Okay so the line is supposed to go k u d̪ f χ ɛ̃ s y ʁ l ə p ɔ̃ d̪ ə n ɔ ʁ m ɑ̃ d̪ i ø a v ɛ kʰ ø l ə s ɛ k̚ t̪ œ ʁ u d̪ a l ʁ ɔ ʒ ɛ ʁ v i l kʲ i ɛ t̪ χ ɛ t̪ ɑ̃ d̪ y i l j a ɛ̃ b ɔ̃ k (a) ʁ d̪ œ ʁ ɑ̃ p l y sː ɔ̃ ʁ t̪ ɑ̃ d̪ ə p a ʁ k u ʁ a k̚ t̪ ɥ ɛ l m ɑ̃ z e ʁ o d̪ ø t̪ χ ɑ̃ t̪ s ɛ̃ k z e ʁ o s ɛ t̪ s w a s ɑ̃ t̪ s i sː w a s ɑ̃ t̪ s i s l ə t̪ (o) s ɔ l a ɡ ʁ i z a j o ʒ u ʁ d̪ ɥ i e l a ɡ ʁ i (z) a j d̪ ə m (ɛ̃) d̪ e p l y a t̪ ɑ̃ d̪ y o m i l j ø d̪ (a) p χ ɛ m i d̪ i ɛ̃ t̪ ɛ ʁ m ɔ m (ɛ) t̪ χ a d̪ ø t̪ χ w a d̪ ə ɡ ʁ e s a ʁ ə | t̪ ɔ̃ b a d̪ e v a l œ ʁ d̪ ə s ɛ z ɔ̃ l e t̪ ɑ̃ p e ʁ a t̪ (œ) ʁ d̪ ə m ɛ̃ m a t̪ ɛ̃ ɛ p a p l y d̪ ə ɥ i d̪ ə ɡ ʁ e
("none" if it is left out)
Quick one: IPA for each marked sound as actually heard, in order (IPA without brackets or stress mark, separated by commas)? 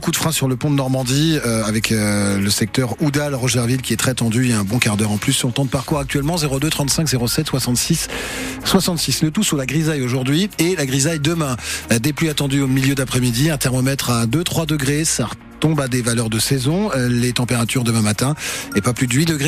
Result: a, u, z, ɛ̃, a, ɛ, y